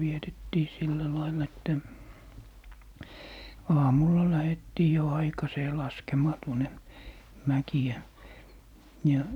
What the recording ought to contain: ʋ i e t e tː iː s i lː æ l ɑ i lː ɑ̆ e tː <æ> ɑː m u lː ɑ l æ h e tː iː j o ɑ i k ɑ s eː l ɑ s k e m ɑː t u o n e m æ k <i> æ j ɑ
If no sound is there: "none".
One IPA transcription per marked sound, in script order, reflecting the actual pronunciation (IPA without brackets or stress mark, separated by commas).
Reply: æ, i